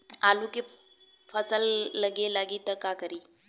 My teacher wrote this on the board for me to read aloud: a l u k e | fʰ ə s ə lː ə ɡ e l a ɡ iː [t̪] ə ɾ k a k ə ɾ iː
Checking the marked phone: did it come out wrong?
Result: no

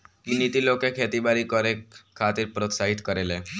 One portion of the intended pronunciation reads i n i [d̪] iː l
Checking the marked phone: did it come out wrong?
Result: yes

